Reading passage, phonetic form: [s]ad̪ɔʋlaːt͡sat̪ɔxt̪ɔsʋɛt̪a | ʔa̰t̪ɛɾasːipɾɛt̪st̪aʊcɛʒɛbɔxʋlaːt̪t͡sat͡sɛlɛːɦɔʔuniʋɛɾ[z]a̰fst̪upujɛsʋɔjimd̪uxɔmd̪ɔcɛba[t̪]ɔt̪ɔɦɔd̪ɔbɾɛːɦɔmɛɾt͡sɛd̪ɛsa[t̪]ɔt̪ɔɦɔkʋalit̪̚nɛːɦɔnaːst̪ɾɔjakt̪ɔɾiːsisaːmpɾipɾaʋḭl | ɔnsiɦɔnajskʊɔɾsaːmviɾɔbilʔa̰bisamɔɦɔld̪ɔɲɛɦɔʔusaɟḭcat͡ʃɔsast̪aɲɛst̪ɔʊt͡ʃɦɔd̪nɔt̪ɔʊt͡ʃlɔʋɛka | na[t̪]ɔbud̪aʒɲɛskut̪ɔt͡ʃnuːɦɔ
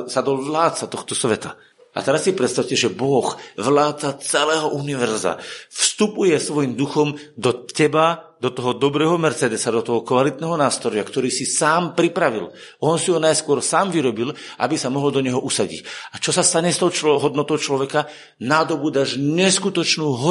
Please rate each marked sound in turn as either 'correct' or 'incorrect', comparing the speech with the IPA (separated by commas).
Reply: correct, correct, incorrect, incorrect, incorrect